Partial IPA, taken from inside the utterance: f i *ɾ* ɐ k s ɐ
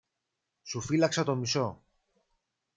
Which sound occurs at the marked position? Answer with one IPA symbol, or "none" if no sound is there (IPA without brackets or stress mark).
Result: l